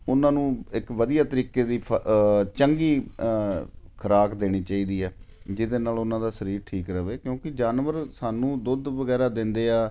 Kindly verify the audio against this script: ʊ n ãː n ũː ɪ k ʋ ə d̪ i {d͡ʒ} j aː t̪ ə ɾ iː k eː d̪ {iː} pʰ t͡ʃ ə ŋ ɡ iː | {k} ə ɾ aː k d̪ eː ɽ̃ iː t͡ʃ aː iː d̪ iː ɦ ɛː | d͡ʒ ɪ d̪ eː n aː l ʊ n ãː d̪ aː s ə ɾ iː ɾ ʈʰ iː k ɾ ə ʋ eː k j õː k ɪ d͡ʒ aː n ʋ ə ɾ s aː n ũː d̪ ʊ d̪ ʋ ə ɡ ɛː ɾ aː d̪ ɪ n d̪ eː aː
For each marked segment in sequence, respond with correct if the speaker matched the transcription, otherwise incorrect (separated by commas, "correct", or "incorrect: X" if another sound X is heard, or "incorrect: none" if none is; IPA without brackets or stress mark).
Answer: incorrect: none, correct, incorrect: kʰ